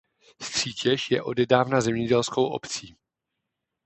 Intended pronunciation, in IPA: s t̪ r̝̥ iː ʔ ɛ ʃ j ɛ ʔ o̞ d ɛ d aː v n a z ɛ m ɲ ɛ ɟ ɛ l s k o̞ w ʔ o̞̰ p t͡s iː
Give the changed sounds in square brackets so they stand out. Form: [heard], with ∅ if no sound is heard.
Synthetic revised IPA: s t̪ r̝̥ iː [c] ɛ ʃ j ɛ ʔ o̞ d ɛ d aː v n a z ɛ m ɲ ɛ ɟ ɛ l s k o̞ w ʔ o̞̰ p t͡s iː